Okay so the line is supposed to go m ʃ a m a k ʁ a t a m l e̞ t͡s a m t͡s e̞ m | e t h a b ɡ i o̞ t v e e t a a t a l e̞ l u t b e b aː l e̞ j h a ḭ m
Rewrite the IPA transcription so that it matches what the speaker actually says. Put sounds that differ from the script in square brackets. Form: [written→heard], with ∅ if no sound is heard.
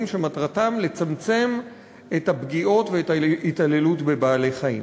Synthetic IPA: m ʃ [a→e] m a [k→t] ʁ a t a m l e̞ t͡s a m t͡s e̞ m | e t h a b ɡ i o̞ t v e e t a [a→i] t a l e̞ l u t b e b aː l e̞ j [h→χ] a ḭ m